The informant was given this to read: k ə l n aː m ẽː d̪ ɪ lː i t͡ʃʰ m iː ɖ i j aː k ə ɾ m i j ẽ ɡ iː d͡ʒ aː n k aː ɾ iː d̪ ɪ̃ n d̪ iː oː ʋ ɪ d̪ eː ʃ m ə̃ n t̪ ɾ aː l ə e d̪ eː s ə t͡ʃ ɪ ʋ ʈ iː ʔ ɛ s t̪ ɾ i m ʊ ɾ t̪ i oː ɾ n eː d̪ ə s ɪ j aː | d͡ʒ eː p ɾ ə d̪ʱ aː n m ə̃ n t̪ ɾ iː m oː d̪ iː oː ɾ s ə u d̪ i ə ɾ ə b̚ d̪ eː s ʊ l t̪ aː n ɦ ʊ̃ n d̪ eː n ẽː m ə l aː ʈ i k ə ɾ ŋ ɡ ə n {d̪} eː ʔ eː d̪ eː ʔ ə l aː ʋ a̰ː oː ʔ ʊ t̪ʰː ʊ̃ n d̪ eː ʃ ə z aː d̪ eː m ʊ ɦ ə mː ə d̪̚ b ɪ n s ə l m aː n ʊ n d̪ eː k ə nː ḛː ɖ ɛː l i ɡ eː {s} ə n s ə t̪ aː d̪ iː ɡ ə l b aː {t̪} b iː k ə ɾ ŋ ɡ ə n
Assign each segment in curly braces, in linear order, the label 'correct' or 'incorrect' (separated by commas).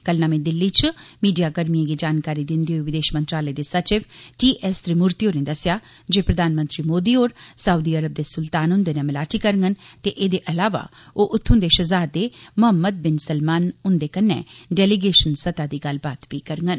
incorrect, incorrect, correct